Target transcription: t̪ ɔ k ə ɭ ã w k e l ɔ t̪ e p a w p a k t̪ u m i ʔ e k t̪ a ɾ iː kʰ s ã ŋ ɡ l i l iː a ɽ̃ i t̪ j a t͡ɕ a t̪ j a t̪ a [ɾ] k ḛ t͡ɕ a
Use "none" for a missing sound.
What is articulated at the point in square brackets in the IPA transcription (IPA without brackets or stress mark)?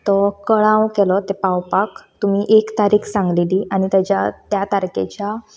ɾ